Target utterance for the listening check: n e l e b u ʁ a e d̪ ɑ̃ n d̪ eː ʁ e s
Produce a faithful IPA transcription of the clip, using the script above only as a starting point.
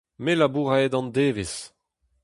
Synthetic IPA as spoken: m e l a b u ʁ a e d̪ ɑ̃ n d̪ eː v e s

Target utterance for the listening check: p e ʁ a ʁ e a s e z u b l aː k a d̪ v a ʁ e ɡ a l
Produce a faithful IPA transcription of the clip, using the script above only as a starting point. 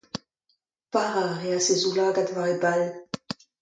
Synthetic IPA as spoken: p a ʁ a ʁ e a s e z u l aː ɡ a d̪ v a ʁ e b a l

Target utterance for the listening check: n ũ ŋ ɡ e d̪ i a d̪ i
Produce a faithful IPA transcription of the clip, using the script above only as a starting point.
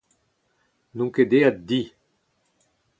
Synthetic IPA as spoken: n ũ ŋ k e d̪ e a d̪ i

